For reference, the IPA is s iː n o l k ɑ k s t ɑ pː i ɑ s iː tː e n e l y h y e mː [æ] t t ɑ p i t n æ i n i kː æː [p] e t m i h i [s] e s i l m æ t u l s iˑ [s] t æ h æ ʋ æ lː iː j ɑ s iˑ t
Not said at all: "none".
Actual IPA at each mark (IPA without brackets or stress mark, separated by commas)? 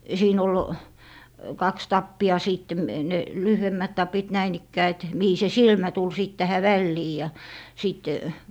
æ, none, s, t